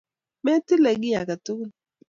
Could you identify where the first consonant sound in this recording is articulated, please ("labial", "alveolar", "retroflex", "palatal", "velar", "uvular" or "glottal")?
labial